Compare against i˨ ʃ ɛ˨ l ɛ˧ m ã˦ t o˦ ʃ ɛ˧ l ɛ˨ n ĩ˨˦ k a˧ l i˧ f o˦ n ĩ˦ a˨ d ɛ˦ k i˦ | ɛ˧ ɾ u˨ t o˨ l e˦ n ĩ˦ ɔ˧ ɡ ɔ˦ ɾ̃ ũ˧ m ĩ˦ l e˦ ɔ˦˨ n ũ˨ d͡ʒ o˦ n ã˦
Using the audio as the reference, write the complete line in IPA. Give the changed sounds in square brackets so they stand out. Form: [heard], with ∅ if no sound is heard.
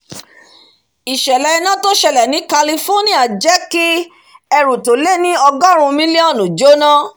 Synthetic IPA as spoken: i˨ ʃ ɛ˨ l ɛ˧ [n] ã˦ t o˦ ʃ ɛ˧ l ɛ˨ n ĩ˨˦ k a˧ l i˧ f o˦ n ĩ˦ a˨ [d͡ʒ] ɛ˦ k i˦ | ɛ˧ ɾ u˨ t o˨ l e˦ n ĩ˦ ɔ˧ ɡ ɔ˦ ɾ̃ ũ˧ m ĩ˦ l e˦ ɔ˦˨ n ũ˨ d͡ʒ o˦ n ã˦